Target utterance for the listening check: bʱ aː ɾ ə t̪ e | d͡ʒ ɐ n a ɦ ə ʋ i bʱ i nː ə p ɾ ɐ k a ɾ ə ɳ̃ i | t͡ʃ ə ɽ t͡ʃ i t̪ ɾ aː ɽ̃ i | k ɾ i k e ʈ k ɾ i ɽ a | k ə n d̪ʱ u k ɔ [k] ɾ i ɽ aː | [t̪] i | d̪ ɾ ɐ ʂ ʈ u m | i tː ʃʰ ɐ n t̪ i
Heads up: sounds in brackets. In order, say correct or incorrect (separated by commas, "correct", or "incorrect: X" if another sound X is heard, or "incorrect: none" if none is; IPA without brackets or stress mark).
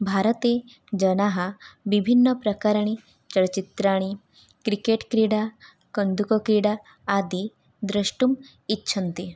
correct, incorrect: d̪